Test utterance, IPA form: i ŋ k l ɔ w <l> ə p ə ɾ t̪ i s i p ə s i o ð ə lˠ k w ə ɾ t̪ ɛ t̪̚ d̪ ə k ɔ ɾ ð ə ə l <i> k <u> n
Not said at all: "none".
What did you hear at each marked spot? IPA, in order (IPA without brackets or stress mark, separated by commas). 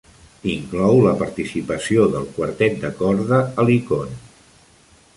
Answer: l, i, o